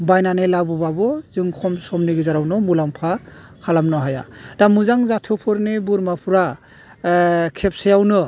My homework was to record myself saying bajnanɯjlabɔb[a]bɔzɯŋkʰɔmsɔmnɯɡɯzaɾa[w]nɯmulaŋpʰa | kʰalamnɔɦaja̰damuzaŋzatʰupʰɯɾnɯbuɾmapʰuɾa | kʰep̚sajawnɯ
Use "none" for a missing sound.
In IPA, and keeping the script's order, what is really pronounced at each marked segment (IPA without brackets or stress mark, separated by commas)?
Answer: a, w